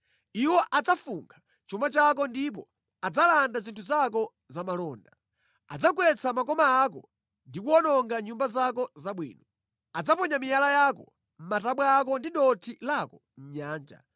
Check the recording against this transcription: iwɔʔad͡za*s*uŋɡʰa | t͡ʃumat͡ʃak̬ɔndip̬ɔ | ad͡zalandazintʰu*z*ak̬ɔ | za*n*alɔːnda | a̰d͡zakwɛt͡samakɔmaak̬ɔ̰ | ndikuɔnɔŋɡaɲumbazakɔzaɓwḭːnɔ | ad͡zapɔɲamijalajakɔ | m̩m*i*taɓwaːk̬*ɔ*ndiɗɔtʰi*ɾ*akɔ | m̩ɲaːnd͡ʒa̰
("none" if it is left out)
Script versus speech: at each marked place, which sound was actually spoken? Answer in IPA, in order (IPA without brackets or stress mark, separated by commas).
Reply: f, z, m, a, ɔ, l